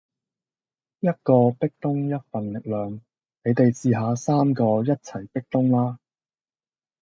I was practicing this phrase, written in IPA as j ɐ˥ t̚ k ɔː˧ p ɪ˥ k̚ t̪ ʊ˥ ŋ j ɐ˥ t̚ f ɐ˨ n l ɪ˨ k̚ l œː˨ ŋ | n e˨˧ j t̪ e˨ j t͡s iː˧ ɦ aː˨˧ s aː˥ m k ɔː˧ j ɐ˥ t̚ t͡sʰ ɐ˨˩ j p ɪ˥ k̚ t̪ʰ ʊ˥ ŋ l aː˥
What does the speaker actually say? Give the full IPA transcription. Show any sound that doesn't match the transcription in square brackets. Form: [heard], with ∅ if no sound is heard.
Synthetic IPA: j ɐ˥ t̚ k ɔː˧ p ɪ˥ k̚ t̪ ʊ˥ ŋ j ɐ˥ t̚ f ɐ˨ n l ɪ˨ k̚ l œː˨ ŋ | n e˨˧ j t̪ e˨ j t͡s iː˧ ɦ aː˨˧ s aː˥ m k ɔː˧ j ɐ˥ t̚ t͡sʰ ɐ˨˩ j p ɪ˥ k̚ [t̪] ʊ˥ ŋ l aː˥